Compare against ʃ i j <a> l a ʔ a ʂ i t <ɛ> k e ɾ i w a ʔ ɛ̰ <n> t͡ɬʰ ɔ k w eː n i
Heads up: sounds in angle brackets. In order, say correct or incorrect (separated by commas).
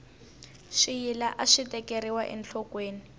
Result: incorrect, correct, correct